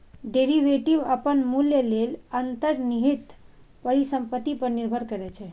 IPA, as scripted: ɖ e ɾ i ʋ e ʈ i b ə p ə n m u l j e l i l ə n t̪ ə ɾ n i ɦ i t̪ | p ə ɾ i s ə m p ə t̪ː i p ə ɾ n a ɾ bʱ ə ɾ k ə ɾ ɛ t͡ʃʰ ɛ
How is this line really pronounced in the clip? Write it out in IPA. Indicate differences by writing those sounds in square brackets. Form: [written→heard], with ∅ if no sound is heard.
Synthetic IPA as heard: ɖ e ɾ i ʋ e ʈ i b ə p ə n m u l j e l [i→e] l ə n t̪ ə ɾ n i ɦ i t̪ | p ə ɾ i s ə m p ə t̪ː i p ə ɾ n [a→i] ɾ bʱ ə ɾ k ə ɾ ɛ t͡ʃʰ ɛ